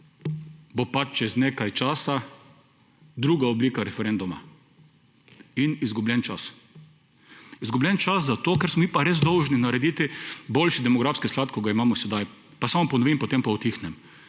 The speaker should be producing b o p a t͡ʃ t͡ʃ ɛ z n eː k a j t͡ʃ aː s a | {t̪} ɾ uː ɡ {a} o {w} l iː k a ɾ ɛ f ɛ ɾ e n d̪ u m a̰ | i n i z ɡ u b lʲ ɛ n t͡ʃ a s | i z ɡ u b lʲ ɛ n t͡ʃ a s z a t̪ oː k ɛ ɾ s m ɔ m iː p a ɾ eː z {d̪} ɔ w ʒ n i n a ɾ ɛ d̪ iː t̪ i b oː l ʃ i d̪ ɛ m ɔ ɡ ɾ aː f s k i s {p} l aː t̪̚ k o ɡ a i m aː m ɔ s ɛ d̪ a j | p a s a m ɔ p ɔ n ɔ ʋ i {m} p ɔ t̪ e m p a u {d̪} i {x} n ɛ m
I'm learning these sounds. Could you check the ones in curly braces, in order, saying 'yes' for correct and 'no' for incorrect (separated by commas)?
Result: no, yes, no, yes, no, yes, no, yes